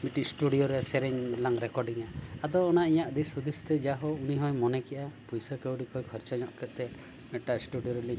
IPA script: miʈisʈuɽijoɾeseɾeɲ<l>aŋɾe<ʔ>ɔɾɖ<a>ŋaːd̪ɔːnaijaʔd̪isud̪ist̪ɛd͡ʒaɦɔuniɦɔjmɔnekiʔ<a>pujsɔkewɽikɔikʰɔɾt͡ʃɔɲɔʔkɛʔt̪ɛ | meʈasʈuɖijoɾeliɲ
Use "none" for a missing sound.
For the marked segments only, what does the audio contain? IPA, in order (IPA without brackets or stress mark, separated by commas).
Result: l, k, i, a